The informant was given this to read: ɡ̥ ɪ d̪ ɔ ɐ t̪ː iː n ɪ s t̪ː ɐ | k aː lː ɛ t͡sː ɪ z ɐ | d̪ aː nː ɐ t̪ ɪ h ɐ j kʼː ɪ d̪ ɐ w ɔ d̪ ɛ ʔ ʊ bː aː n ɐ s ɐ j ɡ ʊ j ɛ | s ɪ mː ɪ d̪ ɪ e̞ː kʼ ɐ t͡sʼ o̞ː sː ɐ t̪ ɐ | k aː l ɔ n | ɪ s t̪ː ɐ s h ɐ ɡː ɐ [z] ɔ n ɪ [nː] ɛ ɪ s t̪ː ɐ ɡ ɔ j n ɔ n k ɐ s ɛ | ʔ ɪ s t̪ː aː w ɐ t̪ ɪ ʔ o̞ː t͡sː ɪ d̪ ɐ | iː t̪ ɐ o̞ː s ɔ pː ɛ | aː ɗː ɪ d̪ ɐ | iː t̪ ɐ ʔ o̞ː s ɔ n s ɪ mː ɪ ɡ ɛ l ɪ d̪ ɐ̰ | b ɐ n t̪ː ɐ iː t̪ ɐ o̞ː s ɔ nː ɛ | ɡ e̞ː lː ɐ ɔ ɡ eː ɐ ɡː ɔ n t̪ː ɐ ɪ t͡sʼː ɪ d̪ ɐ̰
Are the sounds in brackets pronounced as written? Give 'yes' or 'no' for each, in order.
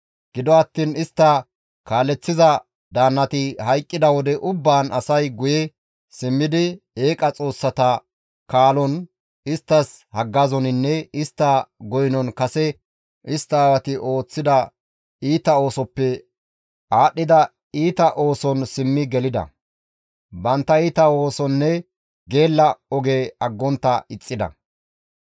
yes, yes

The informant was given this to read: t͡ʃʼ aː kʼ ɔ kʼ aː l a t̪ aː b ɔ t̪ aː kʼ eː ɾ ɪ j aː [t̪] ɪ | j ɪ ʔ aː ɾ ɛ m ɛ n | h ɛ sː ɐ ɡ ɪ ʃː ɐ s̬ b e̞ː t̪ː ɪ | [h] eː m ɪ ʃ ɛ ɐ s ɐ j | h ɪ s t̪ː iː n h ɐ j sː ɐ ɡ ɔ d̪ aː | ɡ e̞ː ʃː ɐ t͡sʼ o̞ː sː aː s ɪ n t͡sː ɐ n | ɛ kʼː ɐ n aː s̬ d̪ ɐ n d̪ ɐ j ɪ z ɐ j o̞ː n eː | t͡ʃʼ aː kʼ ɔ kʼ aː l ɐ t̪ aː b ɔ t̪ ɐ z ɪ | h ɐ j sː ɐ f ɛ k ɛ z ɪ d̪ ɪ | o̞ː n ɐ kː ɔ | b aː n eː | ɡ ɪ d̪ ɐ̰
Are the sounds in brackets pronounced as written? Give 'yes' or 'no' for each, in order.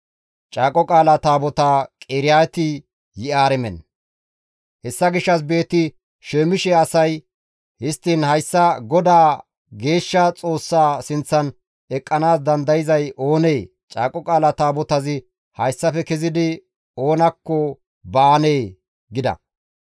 yes, no

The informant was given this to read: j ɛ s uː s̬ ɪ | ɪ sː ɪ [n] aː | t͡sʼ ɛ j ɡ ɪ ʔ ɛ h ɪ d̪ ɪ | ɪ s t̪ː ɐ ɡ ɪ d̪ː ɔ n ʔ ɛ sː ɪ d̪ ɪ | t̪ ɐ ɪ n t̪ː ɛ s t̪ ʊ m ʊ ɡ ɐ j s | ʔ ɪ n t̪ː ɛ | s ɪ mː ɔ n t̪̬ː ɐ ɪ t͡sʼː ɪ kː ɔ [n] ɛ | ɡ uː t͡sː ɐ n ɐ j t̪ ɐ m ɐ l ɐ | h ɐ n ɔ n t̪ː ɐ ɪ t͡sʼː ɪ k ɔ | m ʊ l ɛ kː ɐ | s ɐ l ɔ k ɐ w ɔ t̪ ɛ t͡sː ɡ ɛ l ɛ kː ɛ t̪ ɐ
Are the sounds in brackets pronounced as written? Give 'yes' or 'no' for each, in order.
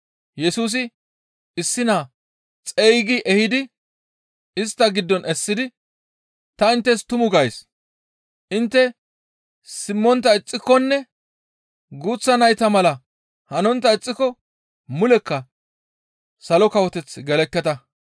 yes, no

